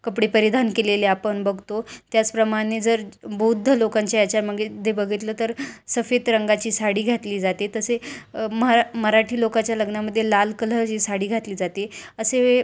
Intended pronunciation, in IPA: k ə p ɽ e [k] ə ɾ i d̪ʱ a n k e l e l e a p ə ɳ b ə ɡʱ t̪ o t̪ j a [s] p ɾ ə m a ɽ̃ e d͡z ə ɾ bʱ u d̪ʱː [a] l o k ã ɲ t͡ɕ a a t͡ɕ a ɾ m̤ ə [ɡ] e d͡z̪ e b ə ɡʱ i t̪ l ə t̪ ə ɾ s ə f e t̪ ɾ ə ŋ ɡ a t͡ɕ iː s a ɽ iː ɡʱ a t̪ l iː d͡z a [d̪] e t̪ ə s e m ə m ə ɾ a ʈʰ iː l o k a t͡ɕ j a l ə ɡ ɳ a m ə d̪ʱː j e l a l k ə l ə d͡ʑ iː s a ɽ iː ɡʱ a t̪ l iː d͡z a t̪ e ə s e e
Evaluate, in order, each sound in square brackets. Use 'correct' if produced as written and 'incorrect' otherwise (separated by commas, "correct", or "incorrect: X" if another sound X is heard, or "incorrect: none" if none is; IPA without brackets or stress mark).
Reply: incorrect: p, incorrect: t͡s, incorrect: ə, correct, incorrect: t̪